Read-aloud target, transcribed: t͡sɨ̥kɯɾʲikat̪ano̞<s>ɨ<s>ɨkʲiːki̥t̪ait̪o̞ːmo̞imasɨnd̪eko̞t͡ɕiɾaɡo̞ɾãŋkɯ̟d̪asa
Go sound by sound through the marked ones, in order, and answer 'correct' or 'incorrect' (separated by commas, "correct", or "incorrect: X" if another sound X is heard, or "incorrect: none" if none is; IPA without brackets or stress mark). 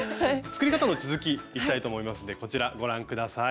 incorrect: t͡s, incorrect: z